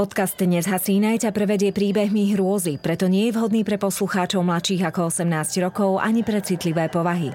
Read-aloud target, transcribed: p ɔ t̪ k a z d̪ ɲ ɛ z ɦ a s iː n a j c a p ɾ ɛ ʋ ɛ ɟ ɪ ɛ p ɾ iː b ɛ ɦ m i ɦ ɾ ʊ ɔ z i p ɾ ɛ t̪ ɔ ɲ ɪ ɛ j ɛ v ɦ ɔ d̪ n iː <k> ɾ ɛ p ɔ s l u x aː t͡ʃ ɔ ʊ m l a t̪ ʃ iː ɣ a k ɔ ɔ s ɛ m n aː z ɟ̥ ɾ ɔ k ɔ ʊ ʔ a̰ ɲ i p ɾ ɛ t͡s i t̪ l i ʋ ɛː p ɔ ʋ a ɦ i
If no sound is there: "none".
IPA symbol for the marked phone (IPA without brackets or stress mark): p